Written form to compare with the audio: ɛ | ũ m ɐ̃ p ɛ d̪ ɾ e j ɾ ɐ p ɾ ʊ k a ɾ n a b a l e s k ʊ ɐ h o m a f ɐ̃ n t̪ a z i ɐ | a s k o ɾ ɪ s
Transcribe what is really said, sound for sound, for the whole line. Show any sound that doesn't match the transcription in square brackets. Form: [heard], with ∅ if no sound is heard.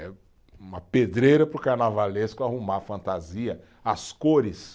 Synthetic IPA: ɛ | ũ m [ɐ] p [e] d̪ ɾ e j ɾ ɐ p ɾ ʊ k a ɾ n a [v] a l e s k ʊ [a] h [u] m a f ɐ̃ n t̪ a z i ɐ | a s k o ɾ ɪ s